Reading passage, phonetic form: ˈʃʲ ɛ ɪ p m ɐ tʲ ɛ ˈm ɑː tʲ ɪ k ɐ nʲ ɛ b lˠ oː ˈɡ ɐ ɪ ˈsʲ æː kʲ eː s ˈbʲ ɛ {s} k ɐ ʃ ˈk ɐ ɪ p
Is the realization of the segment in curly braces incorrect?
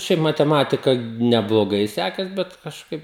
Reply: yes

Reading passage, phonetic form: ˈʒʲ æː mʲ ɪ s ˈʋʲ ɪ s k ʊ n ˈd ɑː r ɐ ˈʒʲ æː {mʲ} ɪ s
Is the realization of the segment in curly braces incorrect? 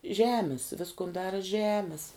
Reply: no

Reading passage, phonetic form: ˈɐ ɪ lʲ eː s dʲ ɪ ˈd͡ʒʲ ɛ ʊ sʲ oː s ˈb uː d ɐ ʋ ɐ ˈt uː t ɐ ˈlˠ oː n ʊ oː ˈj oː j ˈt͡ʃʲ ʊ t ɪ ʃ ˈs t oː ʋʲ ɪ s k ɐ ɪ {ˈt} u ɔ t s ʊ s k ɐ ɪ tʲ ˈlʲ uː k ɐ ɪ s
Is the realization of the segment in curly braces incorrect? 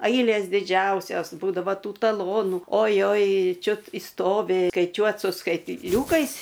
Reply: yes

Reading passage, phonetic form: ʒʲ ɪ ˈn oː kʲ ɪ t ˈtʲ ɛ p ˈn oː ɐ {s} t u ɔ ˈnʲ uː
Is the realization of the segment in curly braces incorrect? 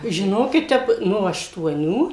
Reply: yes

